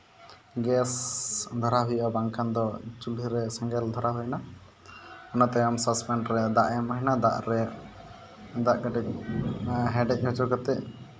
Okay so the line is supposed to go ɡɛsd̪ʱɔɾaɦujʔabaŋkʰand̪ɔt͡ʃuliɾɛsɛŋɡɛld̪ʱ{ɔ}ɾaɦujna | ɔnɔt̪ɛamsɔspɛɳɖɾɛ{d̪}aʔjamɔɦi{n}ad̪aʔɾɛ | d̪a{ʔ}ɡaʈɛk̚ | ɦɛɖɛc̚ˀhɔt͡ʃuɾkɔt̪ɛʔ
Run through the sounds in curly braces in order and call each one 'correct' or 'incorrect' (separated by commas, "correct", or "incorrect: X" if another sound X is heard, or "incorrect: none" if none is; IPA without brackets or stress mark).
correct, correct, correct, correct